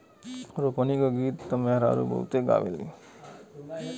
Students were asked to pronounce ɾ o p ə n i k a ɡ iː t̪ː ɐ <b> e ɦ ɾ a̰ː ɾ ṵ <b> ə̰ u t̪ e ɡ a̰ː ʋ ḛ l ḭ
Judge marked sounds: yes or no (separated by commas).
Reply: no, yes